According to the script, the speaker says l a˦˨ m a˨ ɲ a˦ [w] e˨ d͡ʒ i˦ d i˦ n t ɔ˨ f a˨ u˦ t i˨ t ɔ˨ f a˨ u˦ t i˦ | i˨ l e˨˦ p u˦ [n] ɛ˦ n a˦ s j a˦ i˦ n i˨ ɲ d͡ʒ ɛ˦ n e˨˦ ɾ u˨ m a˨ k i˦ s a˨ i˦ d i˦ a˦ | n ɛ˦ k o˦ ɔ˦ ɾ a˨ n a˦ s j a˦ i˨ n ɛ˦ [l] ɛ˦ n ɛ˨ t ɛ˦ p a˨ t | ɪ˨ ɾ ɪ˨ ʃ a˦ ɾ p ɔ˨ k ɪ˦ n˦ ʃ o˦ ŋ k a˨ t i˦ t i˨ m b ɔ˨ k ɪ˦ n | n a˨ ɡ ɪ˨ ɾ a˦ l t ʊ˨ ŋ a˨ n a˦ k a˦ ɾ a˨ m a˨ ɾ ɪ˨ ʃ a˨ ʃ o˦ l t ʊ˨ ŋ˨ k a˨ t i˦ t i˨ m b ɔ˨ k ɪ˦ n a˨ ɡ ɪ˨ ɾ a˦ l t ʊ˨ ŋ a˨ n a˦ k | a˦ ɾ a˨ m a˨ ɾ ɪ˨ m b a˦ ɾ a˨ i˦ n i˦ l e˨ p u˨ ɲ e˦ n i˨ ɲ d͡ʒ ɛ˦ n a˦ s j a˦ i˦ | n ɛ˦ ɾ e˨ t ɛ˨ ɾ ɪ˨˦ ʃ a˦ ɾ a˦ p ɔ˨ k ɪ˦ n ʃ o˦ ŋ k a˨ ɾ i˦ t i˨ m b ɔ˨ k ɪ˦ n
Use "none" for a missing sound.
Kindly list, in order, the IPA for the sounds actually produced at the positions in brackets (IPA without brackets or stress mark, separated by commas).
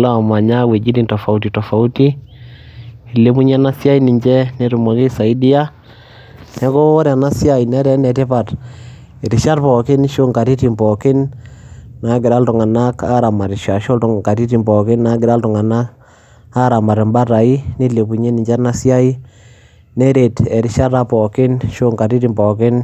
w, ɲ, ɾ